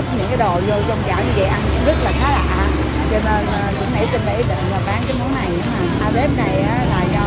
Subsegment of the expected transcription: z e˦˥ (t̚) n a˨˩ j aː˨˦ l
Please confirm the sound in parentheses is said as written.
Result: no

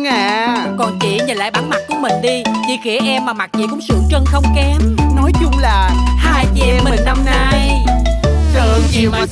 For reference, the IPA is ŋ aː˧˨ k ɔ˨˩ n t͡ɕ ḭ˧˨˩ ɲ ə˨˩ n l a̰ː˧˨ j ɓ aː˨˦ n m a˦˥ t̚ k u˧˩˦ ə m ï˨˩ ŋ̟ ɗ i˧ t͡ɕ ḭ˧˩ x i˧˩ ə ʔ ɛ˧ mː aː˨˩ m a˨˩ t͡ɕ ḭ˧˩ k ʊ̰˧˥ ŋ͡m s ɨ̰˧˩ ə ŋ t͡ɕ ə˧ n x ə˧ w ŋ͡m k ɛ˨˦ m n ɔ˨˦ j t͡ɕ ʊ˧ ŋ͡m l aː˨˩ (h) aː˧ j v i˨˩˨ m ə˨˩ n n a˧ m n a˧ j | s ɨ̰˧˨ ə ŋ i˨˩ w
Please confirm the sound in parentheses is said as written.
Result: yes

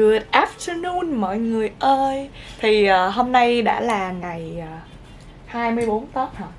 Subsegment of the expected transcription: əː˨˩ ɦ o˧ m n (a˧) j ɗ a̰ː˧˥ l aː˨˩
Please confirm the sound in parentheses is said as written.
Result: yes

